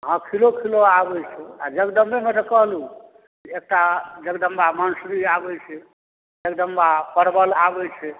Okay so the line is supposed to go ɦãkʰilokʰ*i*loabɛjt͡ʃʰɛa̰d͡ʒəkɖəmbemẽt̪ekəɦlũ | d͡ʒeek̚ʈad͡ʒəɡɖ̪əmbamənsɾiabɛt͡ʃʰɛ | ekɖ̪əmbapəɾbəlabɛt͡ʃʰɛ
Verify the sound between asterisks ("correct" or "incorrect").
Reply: correct